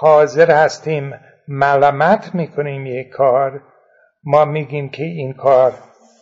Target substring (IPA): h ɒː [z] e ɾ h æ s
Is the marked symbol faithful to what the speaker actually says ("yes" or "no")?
yes